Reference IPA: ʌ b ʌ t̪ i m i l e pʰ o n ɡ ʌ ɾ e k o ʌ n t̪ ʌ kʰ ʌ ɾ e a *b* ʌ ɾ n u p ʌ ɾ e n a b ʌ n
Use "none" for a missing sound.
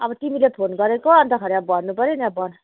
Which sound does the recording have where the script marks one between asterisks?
b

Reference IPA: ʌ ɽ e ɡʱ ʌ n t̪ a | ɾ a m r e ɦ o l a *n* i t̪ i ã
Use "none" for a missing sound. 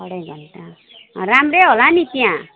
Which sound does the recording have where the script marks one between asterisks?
n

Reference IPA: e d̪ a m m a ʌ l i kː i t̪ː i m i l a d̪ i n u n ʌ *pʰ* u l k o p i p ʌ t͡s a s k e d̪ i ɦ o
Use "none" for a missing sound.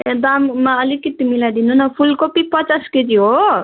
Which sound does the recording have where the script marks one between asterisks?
pʰ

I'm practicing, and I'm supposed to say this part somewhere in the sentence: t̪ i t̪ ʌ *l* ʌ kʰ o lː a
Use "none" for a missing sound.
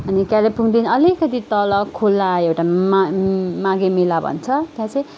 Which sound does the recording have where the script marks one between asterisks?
l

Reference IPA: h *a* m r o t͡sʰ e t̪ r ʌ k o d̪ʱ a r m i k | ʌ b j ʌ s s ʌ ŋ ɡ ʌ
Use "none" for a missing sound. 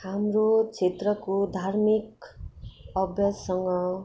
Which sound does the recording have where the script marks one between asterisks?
a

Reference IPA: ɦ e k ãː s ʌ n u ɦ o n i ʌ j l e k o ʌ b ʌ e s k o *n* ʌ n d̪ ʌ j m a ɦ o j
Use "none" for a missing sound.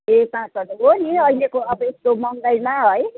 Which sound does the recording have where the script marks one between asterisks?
m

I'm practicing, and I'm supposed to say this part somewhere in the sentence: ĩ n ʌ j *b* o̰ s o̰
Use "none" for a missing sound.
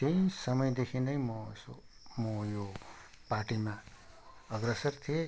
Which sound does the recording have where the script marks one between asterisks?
m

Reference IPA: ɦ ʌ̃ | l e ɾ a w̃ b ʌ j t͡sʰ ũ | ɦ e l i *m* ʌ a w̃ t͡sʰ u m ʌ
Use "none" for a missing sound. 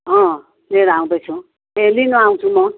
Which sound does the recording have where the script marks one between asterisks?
n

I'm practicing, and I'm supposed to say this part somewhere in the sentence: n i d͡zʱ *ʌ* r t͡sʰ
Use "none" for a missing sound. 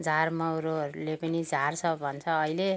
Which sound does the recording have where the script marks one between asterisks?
a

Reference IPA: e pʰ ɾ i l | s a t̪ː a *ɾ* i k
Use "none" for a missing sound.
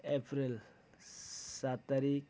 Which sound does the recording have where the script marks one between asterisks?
ɾ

